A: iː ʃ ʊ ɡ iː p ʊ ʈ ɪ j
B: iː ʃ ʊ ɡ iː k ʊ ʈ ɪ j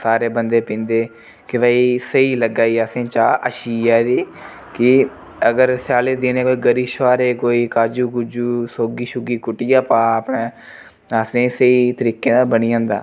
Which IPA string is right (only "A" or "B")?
B